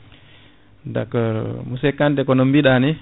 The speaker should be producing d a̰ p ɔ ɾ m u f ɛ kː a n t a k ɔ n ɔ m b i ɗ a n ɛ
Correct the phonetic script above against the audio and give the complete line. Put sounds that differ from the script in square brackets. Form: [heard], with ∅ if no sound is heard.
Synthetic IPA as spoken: d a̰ [k] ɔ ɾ m u [s] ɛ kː a n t [ɛ] k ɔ n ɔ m b i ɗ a n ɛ